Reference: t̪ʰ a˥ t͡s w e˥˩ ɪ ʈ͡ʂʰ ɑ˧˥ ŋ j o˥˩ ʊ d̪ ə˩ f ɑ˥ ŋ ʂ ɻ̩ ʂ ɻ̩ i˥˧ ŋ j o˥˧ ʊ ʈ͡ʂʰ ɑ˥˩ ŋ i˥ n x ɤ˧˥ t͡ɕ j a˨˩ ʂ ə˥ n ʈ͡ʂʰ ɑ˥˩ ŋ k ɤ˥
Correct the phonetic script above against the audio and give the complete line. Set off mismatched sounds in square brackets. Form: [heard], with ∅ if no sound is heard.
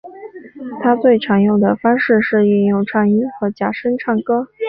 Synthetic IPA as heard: t̪ʰ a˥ t͡s w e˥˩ ɪ ʈ͡ʂʰ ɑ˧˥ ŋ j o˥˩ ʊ d̪ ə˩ f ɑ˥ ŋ ʂ ɻ̩ ʂ ɻ̩ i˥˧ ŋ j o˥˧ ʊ ʈ͡ʂʰ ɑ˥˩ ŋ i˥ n x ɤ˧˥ t͡ɕ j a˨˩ ʂ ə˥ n ʈ͡ʂʰ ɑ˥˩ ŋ k ɤ˥